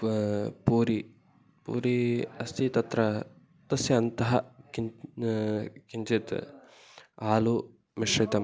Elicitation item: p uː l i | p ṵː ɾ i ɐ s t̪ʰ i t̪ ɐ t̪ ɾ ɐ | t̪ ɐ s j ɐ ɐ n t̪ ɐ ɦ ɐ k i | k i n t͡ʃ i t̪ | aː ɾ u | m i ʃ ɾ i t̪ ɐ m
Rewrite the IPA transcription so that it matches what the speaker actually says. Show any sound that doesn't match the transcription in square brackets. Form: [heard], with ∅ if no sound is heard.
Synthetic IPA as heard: p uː [ɾ] i | p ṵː ɾ i ɐ s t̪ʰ i t̪ ɐ t̪ ɾ ɐ | t̪ ɐ s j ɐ ɐ n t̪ ɐ ɦ ɐ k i | k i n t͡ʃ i t̪ | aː [l] u | m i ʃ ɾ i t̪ ɐ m